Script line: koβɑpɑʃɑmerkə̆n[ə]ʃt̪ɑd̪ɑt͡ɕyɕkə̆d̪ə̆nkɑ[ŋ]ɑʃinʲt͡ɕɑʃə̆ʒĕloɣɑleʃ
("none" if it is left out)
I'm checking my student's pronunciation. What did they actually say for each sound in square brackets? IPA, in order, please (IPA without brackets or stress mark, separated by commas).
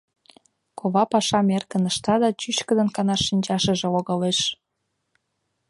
ə, n